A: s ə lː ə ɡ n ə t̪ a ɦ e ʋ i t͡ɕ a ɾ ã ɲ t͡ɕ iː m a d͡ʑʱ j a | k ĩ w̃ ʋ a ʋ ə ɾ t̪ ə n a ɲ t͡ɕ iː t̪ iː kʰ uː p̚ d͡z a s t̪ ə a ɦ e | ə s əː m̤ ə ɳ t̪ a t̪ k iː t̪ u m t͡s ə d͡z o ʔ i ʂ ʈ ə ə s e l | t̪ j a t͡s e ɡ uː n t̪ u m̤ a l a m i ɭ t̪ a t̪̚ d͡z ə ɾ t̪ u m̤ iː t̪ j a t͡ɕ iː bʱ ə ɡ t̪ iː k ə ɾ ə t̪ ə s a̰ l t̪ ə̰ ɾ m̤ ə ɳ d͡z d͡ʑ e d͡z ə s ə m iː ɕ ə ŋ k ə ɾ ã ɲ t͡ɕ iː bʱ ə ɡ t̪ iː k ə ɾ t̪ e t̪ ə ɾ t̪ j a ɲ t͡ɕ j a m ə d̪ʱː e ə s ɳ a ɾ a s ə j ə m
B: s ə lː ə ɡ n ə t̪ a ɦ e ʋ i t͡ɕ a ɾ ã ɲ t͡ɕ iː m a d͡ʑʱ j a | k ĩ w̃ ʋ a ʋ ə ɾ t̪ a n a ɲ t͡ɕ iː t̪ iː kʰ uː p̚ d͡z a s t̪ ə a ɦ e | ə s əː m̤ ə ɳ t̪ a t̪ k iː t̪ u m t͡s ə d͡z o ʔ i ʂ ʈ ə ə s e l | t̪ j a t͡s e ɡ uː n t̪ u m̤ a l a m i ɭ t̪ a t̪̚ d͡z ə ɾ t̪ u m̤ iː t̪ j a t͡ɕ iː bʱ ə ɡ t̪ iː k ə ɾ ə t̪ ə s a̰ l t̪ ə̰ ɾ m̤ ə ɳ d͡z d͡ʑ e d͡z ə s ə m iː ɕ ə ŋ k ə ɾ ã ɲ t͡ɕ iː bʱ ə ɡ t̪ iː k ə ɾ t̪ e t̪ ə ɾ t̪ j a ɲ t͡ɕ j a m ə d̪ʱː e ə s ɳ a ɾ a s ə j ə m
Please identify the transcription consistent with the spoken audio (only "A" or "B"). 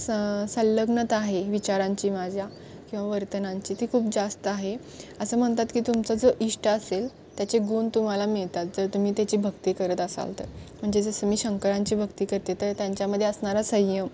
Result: A